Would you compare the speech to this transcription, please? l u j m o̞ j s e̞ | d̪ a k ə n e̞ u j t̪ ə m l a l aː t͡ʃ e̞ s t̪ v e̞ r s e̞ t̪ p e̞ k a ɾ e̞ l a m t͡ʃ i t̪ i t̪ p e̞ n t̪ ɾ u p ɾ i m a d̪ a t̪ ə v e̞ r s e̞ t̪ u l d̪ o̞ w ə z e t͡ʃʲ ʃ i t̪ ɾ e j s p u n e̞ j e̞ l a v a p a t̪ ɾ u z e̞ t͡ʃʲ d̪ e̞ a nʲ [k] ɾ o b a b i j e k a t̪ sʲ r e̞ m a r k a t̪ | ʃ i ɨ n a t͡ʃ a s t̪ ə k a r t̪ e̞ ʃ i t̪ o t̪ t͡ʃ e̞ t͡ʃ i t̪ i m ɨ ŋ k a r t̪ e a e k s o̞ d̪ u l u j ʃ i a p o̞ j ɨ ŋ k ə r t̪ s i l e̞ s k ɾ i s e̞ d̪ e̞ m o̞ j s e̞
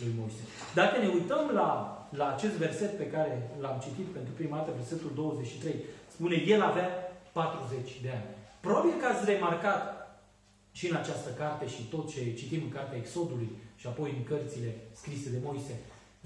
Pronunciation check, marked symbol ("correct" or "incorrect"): incorrect